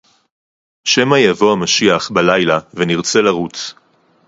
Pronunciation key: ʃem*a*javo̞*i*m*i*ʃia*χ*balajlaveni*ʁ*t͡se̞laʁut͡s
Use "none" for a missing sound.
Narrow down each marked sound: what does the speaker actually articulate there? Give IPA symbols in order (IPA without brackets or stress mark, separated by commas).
a, a, a, χ, ʁ